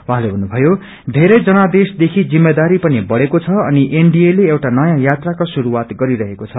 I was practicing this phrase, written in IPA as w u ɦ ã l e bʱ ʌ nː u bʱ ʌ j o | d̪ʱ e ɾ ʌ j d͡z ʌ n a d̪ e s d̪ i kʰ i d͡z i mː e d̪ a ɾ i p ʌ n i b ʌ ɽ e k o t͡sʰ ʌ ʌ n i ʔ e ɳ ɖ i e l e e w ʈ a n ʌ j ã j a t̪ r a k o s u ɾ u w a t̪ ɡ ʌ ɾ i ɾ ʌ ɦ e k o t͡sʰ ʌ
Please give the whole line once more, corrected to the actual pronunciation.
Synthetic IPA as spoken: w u ɦ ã l e bʱ ʌ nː u bʱ ʌ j o | d̪ʱ e ɾ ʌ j d͡z ʌ n a d̪ e s d̪ e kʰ i d͡z i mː e d̪ a ɾ i p ʌ n i b ʌ ɽ e k o t͡sʰ ʌ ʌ n i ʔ e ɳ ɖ i e l e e w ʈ a n ʌ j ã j a t̪ r a k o s u ɾ u w a t̪ ɡ ʌ ɾ i ɾ ʌ ɦ e k o t͡sʰ ʌ

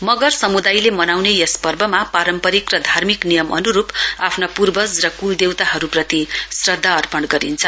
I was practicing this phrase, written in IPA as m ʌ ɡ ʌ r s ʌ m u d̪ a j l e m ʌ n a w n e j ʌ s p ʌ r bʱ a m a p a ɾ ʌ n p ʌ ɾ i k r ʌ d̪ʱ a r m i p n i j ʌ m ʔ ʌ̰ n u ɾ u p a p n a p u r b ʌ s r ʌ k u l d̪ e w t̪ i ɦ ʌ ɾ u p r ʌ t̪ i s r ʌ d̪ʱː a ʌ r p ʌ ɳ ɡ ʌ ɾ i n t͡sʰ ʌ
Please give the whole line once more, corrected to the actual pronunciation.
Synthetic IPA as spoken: m ʌ ɡ ʌ r s ʌ m u d̪ a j l e m ʌ n a w n e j ʌ s p ʌ r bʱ ʌ m a p a ɾ ʌ m p ʌ ɾ i k r ʌ d̪ʱ a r m i k n i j ʌ m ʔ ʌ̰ n u ɾ u p a pʰ n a p u r b ʌ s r ʌ k u l d̪ e w t̪ a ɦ ʌ ɾ u p r ʌ t̪ i s r ʌ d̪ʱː a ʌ r p ʌ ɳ ɡ ʌ ɾ i n t͡sʰ ʌ

